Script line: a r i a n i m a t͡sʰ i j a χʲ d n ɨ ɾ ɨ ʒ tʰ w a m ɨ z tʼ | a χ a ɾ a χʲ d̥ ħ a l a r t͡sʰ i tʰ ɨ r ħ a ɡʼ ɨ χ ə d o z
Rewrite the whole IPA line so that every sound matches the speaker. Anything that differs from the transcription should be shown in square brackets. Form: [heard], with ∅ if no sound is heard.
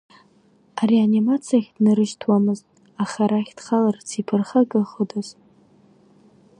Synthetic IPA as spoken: a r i a n i m a t͡sʰ i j a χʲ d n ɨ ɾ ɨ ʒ tʰ w a m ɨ z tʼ | a χ a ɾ a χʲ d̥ [χ] a l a r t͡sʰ i [pʰ] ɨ r [χ] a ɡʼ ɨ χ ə d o z